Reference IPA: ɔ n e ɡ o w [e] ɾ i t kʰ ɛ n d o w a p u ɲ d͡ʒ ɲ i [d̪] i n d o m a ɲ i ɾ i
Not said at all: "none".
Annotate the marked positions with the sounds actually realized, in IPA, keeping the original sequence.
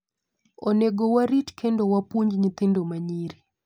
a, t̪

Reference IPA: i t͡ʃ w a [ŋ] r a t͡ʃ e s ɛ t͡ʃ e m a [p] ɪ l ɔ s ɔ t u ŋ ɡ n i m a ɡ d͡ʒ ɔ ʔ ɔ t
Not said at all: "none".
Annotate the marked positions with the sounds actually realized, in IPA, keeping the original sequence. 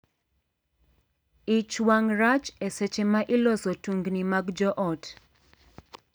ŋ, ʔ

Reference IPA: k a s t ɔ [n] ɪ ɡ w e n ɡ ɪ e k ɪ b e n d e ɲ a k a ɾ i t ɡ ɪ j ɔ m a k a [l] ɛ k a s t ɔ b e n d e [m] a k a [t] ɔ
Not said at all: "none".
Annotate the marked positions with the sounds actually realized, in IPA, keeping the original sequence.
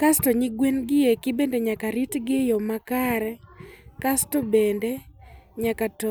ɲ, ɾ, ɲ, t

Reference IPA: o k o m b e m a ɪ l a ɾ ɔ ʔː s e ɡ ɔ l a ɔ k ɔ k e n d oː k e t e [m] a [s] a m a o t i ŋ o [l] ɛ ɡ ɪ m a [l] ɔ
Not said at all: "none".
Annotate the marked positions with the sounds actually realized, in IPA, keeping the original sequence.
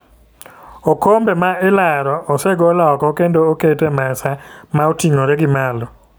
m, s, ɾ, l

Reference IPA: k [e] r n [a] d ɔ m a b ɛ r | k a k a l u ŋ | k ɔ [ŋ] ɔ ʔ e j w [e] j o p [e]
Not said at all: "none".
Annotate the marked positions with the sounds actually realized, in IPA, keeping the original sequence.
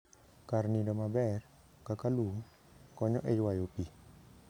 a, i, ɲ, a, i

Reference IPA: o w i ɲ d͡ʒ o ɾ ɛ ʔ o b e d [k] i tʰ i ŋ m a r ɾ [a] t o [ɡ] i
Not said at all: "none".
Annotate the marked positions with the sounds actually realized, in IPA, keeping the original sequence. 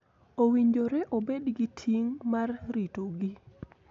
ɡ, i, ɡ

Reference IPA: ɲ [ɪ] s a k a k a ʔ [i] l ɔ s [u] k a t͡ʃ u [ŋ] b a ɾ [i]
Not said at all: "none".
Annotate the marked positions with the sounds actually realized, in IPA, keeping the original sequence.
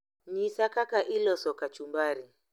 i, i, ɔ, m, i

